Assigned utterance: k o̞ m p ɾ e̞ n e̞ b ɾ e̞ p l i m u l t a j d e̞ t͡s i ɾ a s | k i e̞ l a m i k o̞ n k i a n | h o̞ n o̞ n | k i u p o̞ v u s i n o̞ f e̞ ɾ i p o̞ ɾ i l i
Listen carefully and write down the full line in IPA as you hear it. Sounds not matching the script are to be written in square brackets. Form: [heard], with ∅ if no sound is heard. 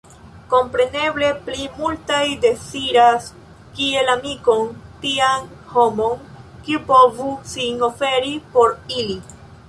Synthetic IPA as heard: k o̞ m p ɾ e̞ n e̞ b [l] e̞ p l i m u l t a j d e̞ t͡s i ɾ a s | k i e̞ l a m i k o̞ n [t] i a n | h o̞ [m] o̞ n | k i u p o̞ v u s i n o̞ f e̞ ɾ i p o̞ ɾ i l i